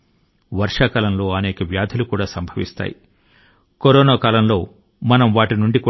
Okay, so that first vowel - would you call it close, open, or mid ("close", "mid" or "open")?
open